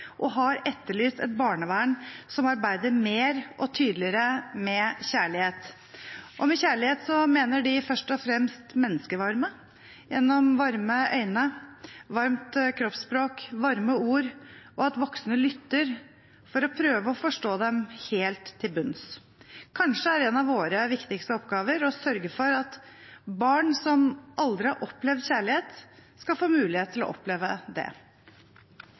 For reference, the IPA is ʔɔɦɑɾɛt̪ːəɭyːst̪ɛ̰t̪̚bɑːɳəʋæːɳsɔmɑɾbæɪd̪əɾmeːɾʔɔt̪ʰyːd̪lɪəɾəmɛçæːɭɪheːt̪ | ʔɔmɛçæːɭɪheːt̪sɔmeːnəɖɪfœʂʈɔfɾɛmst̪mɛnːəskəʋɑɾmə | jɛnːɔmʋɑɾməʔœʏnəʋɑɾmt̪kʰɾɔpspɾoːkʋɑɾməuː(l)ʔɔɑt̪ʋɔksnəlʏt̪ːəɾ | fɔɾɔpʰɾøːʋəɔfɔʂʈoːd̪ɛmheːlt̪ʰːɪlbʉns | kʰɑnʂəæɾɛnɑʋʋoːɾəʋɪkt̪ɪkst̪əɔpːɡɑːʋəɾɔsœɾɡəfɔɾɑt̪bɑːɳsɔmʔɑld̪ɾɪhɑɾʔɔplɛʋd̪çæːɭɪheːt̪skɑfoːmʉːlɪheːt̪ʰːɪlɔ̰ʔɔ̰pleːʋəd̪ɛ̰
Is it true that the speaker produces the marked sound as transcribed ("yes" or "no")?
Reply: no